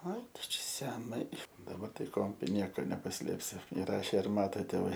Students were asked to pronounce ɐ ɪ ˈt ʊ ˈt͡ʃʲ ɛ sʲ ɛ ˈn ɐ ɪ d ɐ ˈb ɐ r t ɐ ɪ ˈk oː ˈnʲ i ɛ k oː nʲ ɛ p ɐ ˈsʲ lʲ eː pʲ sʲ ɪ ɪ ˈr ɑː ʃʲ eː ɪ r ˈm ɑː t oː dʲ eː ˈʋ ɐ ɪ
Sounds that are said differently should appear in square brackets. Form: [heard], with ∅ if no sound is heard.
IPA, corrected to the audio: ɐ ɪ ˈt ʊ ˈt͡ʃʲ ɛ sʲ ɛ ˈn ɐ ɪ d ɐ ˈb ɐ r t ɐ ɪ ˈk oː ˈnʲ i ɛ k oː nʲ ɛ p ɐ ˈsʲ lʲ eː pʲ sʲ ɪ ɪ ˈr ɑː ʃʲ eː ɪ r ˈm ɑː t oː [tʲ] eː ˈʋ ɐ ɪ